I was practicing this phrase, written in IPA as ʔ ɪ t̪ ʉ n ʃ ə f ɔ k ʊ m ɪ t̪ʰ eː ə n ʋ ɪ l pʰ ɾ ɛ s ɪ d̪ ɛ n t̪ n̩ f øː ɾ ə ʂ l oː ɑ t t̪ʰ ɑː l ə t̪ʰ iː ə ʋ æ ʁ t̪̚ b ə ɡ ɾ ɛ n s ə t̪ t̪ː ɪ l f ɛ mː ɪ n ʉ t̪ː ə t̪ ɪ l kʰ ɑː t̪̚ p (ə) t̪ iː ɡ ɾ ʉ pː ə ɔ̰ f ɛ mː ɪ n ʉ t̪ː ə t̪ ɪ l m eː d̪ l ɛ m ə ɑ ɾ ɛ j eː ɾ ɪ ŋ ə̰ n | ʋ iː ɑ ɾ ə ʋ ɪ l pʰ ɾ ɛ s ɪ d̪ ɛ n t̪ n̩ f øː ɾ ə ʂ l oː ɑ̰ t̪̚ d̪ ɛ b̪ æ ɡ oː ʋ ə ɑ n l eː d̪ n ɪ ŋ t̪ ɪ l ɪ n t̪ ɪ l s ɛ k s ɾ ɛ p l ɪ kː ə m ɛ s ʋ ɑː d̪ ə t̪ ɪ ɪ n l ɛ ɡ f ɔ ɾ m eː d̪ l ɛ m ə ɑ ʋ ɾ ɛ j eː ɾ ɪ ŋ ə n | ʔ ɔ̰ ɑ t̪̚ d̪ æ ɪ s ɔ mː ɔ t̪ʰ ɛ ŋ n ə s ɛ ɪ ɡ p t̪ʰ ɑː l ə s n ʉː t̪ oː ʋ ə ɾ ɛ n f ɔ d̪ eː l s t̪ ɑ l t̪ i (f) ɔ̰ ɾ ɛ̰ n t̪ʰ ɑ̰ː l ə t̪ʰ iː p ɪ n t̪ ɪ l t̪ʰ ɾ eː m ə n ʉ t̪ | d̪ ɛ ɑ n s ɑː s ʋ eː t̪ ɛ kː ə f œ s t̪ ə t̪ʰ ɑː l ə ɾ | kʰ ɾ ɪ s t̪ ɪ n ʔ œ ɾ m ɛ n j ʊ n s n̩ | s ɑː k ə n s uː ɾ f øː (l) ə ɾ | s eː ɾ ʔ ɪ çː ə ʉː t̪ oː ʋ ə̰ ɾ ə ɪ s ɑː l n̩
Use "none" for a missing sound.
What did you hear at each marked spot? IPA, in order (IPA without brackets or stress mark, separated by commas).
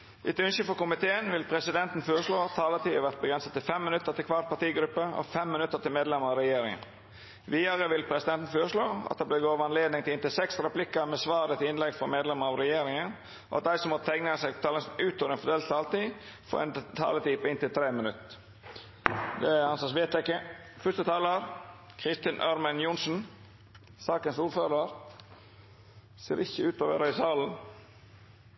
ɑ, f, ɾ